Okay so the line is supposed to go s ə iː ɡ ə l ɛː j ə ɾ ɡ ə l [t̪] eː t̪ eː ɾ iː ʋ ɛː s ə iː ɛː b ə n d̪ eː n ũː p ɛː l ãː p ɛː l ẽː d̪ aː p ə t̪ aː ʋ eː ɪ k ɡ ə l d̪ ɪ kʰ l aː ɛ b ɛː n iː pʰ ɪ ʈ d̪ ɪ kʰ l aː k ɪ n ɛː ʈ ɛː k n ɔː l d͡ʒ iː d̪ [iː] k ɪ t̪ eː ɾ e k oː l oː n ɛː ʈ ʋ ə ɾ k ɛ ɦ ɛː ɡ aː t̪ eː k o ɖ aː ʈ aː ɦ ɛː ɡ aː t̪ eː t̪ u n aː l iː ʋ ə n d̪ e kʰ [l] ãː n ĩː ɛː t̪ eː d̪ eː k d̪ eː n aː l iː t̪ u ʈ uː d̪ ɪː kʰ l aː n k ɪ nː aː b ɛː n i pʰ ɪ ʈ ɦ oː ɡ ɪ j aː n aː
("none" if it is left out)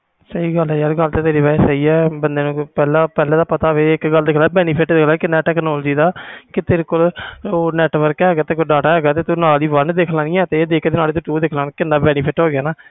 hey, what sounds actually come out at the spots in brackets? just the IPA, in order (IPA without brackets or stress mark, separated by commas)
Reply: t̪, aː, l